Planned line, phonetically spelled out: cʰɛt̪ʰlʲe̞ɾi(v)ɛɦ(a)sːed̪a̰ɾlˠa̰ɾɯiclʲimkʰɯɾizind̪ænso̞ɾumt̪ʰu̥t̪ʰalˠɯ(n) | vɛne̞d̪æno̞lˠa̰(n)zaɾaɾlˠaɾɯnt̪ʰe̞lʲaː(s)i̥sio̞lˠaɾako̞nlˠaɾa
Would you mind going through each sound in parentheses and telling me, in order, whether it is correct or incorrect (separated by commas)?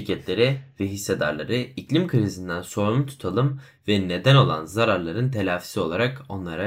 correct, incorrect, incorrect, correct, incorrect